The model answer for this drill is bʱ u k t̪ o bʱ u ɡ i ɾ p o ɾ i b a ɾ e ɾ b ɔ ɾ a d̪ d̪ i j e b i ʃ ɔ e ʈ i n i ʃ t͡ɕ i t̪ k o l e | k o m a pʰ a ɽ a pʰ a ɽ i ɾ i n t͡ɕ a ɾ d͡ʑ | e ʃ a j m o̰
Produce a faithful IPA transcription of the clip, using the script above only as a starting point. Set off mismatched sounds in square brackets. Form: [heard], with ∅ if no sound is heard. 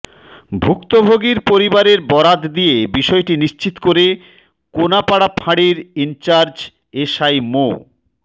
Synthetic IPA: bʱ u k t̪ o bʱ [o] ɡ i ɾ p o ɾ i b a ɾ e ɾ b ɔ ɾ a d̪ d̪ i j e b i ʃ ɔ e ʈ i n i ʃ t͡ɕ i t̪ k o [ɾ] e | k o [n] a [p] a ɽ a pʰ a ɽ i ɾ i n t͡ɕ a ɾ d͡ʑ | e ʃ a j m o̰